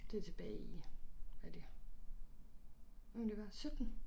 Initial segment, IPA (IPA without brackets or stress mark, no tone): d̥